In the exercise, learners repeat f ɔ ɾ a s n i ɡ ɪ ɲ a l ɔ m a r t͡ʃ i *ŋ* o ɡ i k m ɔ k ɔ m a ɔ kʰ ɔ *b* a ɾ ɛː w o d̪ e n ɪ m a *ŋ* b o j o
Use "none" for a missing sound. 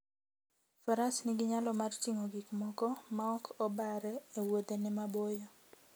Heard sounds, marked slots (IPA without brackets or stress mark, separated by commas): ŋ, b, none